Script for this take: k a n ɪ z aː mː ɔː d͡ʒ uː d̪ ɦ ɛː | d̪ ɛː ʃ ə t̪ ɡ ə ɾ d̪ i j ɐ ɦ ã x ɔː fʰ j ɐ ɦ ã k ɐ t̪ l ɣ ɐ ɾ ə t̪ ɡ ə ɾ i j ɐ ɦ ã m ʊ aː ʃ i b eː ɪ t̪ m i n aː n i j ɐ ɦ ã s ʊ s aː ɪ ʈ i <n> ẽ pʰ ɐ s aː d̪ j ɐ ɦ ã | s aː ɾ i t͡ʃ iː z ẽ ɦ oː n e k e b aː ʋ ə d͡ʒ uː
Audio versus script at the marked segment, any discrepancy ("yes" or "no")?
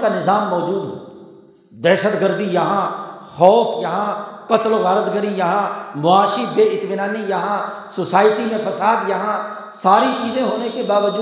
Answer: yes